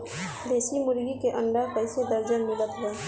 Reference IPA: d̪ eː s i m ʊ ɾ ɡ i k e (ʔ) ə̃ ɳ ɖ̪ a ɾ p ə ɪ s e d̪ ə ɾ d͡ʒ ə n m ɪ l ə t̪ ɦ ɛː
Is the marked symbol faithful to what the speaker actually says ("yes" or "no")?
yes